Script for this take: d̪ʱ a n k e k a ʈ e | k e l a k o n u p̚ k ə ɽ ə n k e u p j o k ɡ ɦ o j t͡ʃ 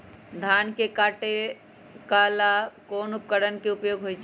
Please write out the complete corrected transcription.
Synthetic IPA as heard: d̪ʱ a n k e k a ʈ e | k a l a k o n u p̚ k ə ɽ ə n k e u p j o ɡ ɦ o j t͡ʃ